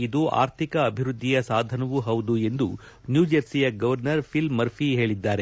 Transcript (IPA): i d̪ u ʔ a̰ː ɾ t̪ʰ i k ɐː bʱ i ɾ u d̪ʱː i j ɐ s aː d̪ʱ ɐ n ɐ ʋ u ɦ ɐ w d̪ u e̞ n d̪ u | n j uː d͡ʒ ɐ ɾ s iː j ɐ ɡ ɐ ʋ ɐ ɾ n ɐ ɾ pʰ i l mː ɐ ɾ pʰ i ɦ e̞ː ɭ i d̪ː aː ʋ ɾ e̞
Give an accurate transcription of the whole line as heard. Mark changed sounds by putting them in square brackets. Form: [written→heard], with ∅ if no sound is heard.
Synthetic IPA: i d̪ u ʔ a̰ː ɾ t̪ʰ i k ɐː bʱ i ɾ u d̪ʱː i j ɐ s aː d̪ʱ ɐ n ɐ ʋ u ɦ ɐ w d̪ u e̞ n d̪ u | n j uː d͡ʒ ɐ ɾ s [iː→i] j ɐ ɡ ɐ ʋ ɐ ɾ n ɐ ɾ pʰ i l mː ɐ ɾ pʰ i ɦ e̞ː ɭ i d̪ː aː [ʋ→∅] ɾ e̞